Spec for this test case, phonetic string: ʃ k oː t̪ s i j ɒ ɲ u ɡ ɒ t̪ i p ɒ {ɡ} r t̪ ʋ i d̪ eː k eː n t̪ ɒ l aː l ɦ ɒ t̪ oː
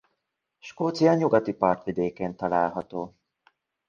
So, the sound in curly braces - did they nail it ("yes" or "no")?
no